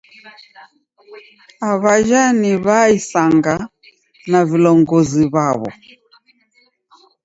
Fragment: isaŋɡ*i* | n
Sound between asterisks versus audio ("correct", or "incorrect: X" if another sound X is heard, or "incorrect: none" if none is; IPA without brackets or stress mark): incorrect: a